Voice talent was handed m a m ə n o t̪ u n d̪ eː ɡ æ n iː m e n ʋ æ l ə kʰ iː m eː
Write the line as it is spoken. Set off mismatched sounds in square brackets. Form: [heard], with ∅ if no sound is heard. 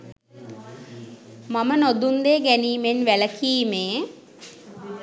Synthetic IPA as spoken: m a m ə n o [d̪] u n d̪ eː ɡ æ n iː m e n ʋ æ l ə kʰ iː m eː